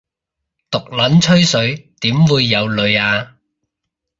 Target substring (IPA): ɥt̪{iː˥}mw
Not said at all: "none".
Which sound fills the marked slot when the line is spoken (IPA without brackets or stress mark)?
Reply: iː˨˥